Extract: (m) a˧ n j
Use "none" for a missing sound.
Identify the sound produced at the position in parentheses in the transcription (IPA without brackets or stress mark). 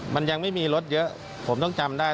m